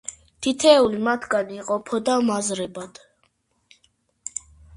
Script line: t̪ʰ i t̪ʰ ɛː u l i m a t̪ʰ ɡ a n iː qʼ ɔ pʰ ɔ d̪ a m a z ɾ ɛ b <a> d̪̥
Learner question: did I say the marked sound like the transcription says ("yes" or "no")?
yes